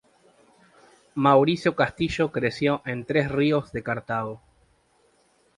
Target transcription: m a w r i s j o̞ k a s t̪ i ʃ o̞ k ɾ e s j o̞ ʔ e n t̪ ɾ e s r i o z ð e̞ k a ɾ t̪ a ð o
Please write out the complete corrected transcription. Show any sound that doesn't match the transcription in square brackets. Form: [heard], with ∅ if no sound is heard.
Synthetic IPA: m a w [ɾ] i s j o̞ k a s t̪ i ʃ o̞ k ɾ e s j o̞ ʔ e n t̪ ɾ e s r i o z ð e̞ k a ɾ t̪ a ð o